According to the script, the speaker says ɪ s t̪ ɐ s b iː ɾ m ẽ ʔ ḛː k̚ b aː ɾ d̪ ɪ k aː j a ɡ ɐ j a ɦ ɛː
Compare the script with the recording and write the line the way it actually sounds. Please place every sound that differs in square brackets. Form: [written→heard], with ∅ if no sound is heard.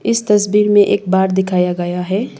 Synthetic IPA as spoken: ɪ s t̪ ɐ s b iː ɾ m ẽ ʔ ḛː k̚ b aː ɾ d̪ ɪ [k→kʰ] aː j a ɡ ɐ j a ɦ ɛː